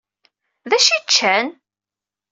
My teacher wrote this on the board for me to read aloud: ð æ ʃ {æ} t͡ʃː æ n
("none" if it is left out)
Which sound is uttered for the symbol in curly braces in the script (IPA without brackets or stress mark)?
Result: i